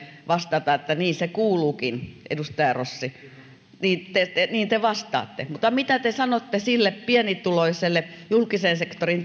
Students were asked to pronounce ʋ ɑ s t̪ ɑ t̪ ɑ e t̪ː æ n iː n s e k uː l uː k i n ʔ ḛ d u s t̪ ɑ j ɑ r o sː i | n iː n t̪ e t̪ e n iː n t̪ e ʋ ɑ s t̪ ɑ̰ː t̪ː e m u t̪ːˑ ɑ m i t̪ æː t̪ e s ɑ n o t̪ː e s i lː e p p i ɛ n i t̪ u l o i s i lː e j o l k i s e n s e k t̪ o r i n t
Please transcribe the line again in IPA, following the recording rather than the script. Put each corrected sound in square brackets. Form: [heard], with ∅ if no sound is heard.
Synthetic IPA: ʋ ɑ s t̪ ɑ t̪ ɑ e t̪ː æ n iː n s e k uː l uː k i n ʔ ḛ d u s t̪ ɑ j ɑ r o sː i | n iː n t̪ e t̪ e n iː n t̪ e ʋ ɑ s t̪ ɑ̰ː t̪ː e m u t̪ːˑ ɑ m i t̪ [æ] t̪ e s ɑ n o t̪ː e s i lː e p p i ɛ n i t̪ u l o i s [e] lː e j [u] l k i s e n s e k t̪ o r i n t